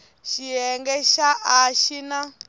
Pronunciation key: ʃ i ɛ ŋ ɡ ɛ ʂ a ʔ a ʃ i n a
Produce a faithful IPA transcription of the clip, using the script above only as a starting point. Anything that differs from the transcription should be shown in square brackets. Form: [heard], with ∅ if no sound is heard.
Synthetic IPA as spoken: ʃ i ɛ ŋ ɡ ɛ [ʃ] a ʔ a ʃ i n a